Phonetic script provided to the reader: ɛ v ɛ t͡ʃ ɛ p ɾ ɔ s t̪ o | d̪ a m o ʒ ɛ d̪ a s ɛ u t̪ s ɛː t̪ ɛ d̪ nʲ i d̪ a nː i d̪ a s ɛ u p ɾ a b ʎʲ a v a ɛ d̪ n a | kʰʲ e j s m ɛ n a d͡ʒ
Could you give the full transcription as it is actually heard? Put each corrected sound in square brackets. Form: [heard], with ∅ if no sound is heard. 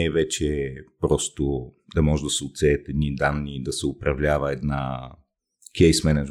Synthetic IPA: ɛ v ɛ t͡ʃ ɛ p ɾ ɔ s t̪ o | d̪ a m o ʒ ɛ d̪ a s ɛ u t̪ s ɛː t̪ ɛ d̪ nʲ i d̪ a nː i d̪ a s ɛ u p ɾ a [v] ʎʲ a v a ɛ d̪ n a | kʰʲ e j s m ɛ n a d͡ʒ